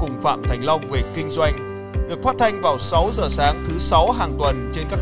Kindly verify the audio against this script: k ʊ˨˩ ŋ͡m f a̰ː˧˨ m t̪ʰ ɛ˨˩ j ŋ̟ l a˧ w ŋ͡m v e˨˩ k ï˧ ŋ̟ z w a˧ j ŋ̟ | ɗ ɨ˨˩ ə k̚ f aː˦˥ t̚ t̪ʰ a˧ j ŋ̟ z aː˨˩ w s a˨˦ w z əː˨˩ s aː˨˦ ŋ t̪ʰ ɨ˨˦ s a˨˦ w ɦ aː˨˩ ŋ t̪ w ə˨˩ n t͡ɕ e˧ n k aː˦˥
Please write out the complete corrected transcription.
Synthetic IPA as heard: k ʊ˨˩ ŋ͡m f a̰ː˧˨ m t̪ʰ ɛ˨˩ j ŋ̟ l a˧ w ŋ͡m v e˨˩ k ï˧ ŋ̟ z w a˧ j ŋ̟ | ɗ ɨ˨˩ ə k̚ f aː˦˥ t̚ t̪ʰ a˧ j ŋ̟ v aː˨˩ w s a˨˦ w z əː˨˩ s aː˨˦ ŋ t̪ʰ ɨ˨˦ s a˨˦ w ɦ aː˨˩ ŋ t̪ w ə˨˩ n t͡ɕ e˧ n k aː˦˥